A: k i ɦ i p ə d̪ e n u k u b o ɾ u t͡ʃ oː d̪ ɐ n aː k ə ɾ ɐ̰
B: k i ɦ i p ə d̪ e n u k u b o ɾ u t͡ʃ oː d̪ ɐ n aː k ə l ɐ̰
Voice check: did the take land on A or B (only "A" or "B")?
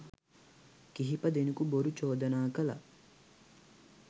B